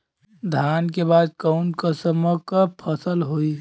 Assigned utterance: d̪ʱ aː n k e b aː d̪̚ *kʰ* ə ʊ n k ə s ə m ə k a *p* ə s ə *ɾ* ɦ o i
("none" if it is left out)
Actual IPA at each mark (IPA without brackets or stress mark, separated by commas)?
k, pʰ, l